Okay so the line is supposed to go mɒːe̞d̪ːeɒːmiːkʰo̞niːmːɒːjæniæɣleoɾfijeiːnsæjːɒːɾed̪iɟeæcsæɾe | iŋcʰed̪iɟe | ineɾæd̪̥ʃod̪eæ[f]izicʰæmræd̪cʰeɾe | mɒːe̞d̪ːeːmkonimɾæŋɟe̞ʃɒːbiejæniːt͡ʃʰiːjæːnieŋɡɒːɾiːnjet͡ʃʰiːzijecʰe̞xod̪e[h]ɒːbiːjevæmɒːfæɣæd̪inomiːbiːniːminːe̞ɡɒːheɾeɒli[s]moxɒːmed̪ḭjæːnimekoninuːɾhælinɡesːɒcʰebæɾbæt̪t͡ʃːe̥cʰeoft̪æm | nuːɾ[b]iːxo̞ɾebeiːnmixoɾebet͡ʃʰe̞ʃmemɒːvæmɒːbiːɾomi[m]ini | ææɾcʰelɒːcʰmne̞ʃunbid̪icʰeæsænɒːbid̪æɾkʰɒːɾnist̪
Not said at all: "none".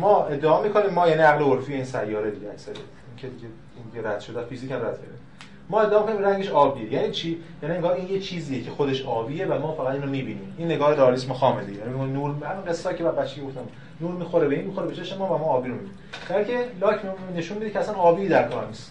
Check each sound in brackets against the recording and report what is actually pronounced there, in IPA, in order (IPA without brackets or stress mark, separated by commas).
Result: f, ʃ, s, m, b